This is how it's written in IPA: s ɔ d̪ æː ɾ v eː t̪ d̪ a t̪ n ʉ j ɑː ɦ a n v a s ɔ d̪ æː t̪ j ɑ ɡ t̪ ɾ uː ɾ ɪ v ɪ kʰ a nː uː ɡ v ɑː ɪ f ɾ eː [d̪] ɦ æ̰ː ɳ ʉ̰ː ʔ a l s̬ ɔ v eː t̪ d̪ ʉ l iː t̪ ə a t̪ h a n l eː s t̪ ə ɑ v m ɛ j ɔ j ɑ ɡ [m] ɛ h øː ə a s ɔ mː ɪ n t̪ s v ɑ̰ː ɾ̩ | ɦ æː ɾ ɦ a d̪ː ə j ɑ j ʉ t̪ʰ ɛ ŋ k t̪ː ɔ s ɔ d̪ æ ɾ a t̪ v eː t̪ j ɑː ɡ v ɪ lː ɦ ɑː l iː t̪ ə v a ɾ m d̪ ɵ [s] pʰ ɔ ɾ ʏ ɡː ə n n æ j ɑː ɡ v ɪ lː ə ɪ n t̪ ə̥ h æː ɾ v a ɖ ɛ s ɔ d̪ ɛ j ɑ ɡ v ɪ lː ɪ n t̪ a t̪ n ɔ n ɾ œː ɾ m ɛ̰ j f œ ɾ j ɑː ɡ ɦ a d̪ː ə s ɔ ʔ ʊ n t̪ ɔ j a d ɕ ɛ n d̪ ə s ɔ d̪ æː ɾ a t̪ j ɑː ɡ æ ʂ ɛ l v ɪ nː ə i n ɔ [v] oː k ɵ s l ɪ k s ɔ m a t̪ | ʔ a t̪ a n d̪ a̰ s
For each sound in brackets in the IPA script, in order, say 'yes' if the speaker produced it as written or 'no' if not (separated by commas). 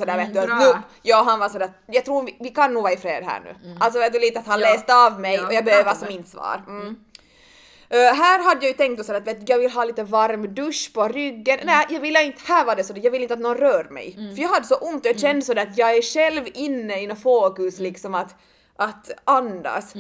yes, no, no, no